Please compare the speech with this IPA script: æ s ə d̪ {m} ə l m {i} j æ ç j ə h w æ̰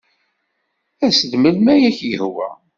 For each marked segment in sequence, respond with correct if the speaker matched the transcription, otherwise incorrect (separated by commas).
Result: correct, incorrect